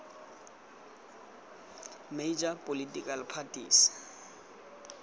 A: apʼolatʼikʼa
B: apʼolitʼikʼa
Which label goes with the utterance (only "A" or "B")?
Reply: B